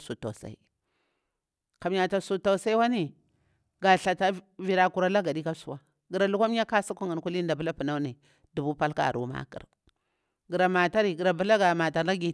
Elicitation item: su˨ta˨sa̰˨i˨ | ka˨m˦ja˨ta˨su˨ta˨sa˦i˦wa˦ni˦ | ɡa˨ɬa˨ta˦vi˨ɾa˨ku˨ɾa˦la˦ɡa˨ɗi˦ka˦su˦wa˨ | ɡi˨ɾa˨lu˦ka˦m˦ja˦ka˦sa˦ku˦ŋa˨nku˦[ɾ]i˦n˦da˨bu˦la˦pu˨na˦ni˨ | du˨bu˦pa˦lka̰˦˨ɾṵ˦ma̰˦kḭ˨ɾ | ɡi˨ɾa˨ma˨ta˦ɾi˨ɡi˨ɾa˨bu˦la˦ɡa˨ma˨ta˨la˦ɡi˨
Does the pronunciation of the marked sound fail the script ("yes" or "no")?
yes